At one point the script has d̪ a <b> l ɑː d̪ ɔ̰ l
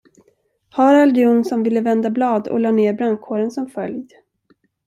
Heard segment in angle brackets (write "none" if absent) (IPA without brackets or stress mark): b